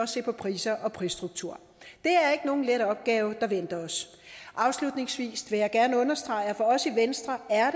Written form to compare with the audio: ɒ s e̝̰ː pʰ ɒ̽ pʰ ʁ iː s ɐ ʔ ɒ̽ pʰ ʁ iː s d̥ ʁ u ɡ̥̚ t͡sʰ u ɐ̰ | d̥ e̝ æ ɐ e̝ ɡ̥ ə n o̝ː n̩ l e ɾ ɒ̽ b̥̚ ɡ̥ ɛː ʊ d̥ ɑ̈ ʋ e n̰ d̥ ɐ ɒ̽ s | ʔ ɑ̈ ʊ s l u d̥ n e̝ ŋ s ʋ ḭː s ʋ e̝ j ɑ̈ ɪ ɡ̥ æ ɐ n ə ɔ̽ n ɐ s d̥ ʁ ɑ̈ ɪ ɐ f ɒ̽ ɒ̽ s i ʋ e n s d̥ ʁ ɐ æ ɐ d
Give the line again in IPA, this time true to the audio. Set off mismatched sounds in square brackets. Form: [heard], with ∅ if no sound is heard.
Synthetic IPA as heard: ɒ s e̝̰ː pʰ ɒ̽ pʰ ʁ iː s ɐ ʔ ɒ̽ pʰ ʁ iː s d̥ ʁ u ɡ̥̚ t͡sʰ u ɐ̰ | d̥ e̝ æ ɐ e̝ ɡ̥ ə n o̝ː n̩ l e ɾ ɒ̽ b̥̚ ɡ̥ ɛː ʊ d̥ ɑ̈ ʋ e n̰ d̥ ɐ ɒ̽ s | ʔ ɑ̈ ʊ s l u d̥ n e̝ ŋ s ʋ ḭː s ʋ e̝ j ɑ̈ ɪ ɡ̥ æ ɐ n ə ɔ̽ n ɐ s d̥ ʁ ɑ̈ ɪ ɐ f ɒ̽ ɒ̽ s i ʋ e n s d̥ ʁ ɐ æ ɐ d